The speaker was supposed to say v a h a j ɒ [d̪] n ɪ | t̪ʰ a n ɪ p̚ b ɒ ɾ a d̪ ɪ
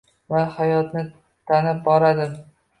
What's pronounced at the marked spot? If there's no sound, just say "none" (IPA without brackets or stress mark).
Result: t̪